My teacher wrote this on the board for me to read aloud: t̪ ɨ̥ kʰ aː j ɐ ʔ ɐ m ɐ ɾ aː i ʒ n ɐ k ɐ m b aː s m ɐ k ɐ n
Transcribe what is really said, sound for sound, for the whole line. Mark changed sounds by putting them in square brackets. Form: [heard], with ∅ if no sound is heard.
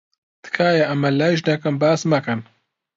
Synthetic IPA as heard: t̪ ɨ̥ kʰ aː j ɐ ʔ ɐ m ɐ [l] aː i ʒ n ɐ k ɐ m b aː s m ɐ k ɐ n

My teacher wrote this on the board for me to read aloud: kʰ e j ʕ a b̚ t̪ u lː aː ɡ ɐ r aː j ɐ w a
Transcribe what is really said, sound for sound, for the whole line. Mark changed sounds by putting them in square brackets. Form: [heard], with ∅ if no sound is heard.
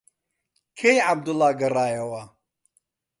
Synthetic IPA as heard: kʰ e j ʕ a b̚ [d̪] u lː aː ɡ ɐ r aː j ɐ w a

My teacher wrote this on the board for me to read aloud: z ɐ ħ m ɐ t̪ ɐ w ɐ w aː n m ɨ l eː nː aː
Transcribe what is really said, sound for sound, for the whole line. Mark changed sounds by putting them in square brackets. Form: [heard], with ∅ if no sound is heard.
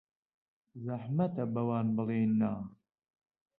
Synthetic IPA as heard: z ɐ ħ m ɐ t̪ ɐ [b] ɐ w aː n [b] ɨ l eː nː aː

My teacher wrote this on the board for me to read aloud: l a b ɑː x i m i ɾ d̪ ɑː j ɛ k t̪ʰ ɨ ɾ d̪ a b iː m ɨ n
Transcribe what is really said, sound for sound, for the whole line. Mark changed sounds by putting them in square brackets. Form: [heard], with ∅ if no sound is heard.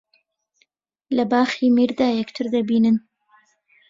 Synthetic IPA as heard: l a b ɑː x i m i ɾ d̪ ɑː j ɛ k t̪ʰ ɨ ɾ d̪ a b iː [n] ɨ n

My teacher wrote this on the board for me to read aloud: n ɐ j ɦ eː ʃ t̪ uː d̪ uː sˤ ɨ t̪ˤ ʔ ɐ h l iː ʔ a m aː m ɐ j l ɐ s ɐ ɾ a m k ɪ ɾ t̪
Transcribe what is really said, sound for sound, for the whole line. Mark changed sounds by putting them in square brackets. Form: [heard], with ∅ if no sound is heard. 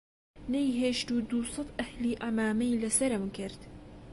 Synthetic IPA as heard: n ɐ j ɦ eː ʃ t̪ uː d̪ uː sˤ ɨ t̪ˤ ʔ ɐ h l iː ʔ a m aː m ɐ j l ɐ s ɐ ɾ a m k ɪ ɾ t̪

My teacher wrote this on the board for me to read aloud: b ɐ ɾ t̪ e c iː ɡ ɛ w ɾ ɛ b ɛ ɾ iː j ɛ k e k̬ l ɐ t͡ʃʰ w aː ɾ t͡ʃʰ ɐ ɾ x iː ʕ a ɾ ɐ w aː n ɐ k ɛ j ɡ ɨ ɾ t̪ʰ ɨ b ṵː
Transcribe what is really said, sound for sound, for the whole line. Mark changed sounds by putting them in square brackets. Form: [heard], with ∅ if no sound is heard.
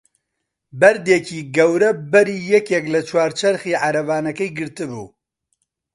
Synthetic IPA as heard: b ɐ ɾ [d̪] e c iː ɡ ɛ w ɾ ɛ b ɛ ɾ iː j ɛ k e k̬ l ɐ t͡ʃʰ w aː ɾ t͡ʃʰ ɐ ɾ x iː ʕ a ɾ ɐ [v] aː n ɐ k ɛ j ɡ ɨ ɾ [t̪] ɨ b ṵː

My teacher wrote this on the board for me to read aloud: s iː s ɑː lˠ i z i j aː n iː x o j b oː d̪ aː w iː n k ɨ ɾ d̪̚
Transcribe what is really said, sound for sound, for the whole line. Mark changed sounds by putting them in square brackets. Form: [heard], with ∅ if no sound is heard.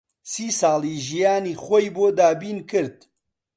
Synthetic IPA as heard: s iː s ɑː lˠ i [ʒ] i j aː n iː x o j b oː d̪ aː [b] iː n k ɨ ɾ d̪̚

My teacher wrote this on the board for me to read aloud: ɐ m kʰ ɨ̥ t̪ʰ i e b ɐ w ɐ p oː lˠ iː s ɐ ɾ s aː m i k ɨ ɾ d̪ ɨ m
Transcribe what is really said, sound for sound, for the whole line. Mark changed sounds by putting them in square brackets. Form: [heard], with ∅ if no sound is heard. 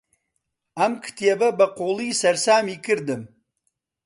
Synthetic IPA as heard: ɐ m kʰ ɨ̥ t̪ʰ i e b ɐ [b] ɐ [q] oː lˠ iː s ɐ ɾ s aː m i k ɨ ɾ d̪ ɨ m

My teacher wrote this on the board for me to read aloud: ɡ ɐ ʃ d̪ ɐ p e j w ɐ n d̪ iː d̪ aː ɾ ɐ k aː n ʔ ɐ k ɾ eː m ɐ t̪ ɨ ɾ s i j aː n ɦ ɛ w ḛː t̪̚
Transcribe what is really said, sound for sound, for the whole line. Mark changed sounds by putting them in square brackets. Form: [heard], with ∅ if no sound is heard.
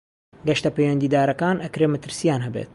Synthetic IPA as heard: ɡ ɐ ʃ [t̪] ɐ p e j w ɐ n d̪ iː d̪ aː ɾ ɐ k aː n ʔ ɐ k ɾ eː m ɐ t̪ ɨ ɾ s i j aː n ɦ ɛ [b] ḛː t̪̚

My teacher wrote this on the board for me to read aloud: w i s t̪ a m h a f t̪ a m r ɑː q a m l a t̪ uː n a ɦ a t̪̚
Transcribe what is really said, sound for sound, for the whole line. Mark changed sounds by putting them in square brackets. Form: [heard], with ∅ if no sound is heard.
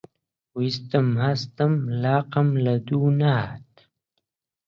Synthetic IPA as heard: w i s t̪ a m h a [s] t̪ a m [l] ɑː q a m l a [d̪] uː n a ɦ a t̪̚

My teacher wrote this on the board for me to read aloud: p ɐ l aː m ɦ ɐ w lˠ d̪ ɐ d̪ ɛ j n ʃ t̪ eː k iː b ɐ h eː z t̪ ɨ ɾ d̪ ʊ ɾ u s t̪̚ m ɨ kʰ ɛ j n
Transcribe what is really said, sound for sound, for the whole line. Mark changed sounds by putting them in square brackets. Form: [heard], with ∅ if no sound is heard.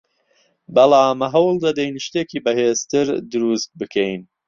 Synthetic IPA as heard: [b] ɐ l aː m ɦ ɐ w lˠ d̪ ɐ d̪ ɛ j n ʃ t̪ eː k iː b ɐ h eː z t̪ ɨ ɾ d̪ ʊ ɾ u s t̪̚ [b] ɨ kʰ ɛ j n

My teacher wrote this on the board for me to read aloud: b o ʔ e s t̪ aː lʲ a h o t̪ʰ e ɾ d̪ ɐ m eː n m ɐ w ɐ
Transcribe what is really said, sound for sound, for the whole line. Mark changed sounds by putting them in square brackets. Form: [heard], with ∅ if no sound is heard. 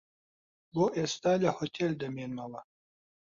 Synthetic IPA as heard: b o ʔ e s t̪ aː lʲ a h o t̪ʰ e [l] d̪ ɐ m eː n m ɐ w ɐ

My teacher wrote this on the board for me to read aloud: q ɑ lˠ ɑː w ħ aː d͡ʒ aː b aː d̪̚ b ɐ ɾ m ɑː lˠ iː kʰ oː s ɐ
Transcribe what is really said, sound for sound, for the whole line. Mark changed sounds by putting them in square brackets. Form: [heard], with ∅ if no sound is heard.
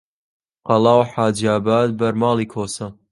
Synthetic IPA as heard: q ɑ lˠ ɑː w ħ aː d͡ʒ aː b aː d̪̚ b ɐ ɾ m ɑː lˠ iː kʰ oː s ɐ

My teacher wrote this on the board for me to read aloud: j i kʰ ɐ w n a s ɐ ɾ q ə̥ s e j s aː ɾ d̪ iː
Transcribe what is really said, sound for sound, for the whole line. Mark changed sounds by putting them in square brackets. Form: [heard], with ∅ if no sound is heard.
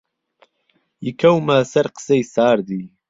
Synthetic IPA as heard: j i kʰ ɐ w [m] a s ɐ ɾ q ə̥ s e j s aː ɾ d̪ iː

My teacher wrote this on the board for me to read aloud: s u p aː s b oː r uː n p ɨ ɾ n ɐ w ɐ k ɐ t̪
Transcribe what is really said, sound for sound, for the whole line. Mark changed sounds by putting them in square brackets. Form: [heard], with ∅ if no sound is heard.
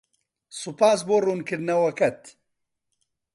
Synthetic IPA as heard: s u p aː s b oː r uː n [k] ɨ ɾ n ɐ w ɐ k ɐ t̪

